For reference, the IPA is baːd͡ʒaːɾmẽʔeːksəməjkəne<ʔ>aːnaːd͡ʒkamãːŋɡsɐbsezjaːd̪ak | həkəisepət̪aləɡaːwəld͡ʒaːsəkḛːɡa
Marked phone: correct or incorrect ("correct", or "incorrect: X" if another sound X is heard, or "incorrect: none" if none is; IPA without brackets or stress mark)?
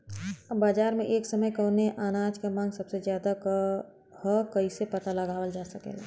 correct